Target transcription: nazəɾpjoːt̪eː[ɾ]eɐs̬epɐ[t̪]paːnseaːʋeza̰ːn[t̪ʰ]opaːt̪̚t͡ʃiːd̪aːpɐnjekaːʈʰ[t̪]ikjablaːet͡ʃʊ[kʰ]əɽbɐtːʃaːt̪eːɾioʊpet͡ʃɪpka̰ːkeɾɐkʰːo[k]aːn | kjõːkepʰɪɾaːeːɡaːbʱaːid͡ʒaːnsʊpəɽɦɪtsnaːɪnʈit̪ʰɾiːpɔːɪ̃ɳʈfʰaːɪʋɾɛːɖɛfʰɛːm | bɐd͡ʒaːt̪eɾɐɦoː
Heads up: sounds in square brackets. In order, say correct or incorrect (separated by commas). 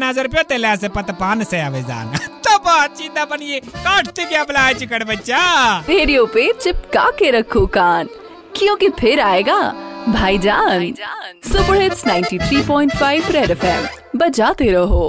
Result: incorrect, correct, incorrect, correct, incorrect, correct